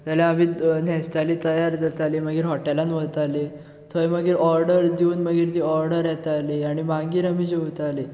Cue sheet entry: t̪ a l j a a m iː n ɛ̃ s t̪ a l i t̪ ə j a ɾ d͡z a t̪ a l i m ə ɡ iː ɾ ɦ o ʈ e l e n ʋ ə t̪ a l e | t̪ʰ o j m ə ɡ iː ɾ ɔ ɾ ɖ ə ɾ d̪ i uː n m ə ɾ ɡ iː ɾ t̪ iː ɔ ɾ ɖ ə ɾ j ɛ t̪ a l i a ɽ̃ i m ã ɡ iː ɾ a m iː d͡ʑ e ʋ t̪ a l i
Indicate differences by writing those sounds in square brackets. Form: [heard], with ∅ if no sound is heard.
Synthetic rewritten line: t̪ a l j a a m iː n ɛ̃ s t̪ a l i t̪ ə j a ɾ d͡z a t̪ a l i m ə ɡ iː ɾ ɦ [ɔ] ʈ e l [a] n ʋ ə t̪ a l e | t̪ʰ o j m ə ɡ iː ɾ ɔ ɾ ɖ ə ɾ d̪ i uː n m ə [∅] ɡ iː ɾ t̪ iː ɔ ɾ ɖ ə ɾ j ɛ t̪ a l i a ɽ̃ i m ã ɡ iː ɾ a m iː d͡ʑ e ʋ t̪ a l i